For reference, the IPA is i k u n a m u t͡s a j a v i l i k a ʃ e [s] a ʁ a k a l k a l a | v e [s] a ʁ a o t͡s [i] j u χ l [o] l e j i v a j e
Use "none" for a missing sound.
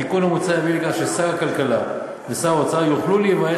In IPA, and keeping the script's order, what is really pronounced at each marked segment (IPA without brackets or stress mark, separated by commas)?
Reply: s, s, a, u